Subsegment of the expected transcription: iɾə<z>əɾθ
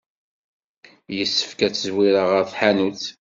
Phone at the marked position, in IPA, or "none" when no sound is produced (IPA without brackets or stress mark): ʁ